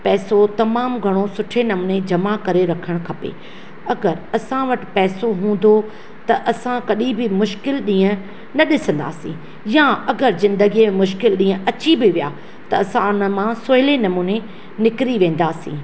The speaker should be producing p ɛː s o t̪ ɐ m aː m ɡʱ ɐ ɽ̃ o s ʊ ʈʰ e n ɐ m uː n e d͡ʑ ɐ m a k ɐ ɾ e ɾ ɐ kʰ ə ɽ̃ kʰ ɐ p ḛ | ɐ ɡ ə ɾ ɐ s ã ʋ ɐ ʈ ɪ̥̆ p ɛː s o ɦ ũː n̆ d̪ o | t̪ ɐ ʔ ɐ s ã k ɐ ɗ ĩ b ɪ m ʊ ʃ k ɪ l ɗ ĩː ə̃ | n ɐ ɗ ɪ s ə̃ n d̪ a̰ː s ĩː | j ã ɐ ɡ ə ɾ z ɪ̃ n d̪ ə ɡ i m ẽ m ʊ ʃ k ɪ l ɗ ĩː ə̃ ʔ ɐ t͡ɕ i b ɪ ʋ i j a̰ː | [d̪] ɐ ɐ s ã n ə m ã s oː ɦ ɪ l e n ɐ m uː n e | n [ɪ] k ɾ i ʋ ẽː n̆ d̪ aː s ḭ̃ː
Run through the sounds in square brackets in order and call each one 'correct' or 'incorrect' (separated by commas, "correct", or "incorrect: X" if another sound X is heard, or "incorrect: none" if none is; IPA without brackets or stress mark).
incorrect: t̪, correct